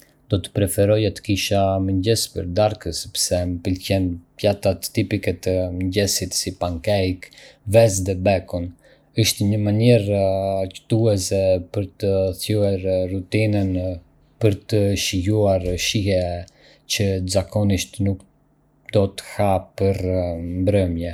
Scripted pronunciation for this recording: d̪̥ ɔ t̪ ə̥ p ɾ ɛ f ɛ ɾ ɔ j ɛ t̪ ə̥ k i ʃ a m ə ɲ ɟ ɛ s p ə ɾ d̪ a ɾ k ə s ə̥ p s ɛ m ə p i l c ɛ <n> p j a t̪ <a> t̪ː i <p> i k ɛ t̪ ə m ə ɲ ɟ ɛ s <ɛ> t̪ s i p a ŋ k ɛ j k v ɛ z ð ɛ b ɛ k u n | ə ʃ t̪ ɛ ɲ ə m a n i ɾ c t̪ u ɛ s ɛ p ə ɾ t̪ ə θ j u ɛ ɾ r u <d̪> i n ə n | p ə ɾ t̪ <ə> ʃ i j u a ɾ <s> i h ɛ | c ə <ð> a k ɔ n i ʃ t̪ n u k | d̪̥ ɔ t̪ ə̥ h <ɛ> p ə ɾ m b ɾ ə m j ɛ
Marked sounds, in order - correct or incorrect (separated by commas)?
correct, correct, correct, incorrect, incorrect, correct, incorrect, incorrect, incorrect